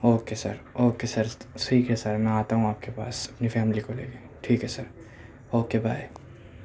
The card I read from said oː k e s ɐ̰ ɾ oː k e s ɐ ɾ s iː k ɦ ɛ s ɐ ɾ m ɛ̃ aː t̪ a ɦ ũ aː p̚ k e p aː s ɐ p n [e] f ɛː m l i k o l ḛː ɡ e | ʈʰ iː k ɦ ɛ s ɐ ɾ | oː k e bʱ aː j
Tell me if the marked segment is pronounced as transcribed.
no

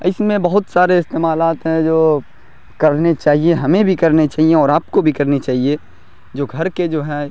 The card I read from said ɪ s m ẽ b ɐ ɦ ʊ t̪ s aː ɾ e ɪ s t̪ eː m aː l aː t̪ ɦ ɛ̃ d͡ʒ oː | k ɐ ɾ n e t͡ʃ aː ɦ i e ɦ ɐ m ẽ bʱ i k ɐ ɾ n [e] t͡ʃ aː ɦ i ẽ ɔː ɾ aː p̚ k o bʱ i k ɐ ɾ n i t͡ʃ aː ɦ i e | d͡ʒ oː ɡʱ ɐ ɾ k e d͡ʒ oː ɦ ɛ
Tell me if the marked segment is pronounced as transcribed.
yes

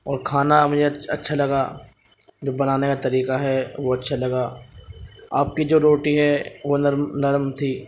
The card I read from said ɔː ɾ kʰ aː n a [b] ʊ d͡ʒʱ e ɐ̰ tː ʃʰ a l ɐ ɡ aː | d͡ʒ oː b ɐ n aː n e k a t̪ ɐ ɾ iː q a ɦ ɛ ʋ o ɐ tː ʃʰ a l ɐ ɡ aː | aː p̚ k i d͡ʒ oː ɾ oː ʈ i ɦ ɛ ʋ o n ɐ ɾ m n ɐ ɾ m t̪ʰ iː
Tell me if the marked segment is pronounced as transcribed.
no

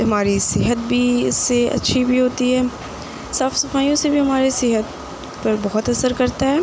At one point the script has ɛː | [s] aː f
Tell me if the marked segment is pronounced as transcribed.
yes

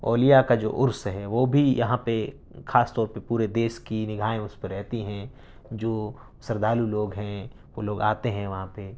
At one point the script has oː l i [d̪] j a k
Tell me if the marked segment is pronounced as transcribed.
no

